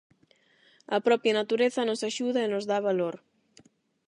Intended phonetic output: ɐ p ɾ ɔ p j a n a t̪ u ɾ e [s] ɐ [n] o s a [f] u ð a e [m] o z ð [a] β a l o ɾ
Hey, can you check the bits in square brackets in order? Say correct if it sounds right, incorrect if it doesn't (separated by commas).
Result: incorrect, correct, incorrect, incorrect, correct